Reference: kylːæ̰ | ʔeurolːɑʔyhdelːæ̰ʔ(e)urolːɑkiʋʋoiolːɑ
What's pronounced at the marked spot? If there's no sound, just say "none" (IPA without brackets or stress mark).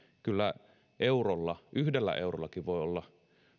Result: e